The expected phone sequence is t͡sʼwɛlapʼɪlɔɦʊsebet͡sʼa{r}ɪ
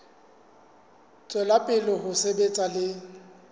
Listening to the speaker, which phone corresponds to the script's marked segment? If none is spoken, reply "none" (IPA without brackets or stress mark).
l